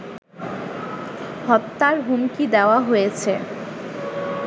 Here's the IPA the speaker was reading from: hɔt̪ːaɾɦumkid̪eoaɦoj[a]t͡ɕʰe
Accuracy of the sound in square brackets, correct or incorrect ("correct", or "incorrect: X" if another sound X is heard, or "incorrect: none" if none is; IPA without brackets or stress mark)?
incorrect: e